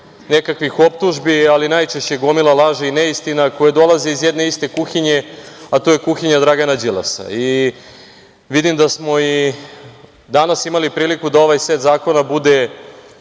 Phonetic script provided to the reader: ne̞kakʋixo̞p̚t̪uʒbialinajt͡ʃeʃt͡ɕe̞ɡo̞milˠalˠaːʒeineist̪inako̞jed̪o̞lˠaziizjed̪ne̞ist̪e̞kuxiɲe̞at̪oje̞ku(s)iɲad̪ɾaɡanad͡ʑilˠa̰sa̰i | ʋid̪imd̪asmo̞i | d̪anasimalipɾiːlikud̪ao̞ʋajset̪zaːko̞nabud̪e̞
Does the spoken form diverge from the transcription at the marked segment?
yes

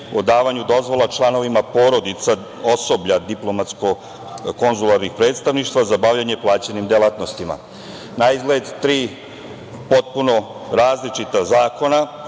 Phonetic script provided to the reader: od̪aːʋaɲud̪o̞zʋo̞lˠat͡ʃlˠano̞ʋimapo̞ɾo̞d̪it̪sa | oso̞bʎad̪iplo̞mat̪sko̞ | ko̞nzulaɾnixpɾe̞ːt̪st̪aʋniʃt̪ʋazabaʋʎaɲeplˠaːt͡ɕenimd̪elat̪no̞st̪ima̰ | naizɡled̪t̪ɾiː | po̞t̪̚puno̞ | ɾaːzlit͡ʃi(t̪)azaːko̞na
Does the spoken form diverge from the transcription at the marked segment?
no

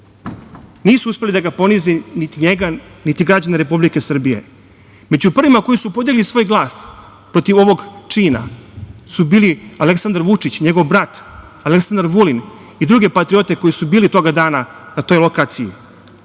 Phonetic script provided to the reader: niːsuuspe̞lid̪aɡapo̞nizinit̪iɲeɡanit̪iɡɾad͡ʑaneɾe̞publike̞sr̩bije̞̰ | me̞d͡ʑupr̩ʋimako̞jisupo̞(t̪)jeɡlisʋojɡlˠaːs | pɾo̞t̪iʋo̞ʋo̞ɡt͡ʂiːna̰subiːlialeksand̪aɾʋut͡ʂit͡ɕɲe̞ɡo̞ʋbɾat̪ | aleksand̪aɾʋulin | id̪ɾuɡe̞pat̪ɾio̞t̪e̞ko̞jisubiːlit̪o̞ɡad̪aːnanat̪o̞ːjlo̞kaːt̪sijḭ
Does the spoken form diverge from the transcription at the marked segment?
yes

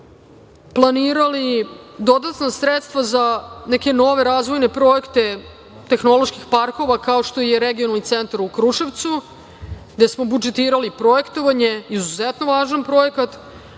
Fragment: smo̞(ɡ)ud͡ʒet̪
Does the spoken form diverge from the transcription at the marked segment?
yes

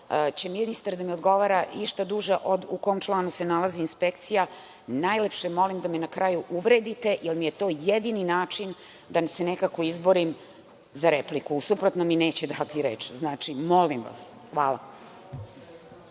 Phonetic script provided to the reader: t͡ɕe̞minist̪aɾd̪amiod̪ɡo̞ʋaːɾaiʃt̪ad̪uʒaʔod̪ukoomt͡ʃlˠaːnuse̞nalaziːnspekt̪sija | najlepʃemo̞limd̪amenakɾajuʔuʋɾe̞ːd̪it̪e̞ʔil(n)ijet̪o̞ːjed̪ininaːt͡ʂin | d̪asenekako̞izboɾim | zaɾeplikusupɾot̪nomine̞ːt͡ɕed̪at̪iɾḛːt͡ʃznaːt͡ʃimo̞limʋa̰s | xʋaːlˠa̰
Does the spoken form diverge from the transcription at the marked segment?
yes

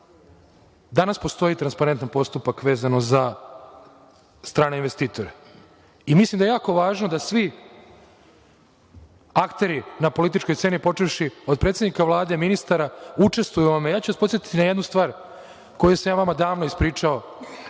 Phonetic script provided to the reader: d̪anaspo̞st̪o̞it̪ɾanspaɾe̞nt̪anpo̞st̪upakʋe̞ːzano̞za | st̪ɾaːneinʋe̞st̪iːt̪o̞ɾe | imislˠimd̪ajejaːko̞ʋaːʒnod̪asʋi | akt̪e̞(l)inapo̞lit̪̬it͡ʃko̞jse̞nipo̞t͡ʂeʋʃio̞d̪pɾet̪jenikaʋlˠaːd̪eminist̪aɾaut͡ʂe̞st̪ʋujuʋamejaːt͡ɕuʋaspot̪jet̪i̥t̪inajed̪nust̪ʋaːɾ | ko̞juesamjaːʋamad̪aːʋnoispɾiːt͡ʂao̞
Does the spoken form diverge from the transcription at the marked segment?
yes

